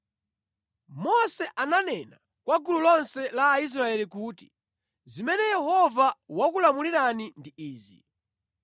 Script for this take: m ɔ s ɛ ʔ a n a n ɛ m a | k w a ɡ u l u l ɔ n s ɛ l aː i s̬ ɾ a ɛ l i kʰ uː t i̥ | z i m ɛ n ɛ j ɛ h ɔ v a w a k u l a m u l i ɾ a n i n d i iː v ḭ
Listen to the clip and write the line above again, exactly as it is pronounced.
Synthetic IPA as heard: m ɔ s ɛ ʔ a n a n ɛ n a | k w a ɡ u l u l ɔ n s ɛ l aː i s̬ ɾ a ɛ l i k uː t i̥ | z i m ɛ n ɛ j ɛ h ɔ v a w a k u l a m u l i ɾ a n i n d i iː z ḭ